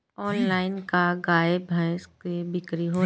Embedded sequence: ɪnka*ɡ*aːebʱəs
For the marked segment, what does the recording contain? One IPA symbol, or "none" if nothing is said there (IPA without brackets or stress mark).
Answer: ɡ